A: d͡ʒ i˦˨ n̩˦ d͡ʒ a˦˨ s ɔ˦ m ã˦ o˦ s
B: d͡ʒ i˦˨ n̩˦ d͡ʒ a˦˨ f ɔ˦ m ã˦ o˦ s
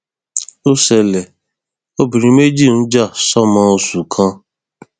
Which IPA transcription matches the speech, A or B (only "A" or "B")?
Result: A